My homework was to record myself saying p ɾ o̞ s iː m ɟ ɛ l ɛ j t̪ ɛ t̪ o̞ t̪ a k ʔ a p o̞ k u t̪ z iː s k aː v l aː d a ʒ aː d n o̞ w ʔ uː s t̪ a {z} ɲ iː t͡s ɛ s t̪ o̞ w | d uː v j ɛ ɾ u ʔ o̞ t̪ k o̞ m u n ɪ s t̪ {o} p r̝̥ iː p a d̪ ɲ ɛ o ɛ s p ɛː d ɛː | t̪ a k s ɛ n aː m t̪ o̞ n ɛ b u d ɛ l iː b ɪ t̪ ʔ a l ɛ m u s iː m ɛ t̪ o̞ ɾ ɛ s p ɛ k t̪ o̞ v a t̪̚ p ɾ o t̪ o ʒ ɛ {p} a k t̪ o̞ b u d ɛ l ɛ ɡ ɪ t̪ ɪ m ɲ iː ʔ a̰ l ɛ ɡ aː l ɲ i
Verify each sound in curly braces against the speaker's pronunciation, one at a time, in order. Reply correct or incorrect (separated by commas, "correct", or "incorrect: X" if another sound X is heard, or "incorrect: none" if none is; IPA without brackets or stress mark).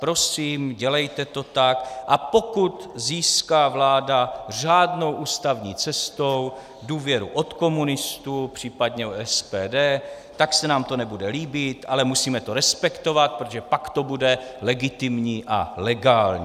incorrect: v, incorrect: u, correct